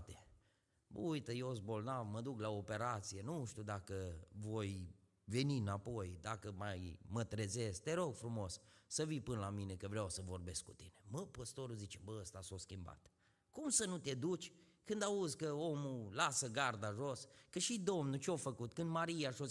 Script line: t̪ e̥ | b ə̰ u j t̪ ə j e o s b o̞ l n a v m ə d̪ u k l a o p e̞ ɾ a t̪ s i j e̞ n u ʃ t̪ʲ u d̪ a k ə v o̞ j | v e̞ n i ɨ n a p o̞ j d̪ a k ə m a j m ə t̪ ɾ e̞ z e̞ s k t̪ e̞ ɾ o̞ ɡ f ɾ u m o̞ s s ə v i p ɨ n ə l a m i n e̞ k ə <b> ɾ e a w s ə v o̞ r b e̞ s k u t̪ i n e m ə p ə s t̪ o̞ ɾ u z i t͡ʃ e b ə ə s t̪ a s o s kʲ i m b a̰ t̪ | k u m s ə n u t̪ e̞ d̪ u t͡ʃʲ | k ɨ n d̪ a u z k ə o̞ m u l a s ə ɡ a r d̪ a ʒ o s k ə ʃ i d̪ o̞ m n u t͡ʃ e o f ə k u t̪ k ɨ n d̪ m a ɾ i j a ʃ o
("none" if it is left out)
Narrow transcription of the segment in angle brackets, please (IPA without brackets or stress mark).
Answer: v